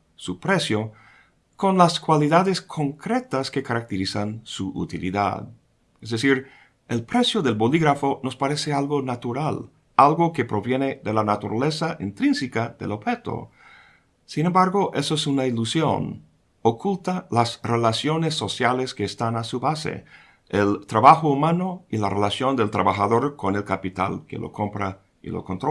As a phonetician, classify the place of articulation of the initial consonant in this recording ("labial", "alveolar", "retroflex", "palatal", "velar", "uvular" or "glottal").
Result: alveolar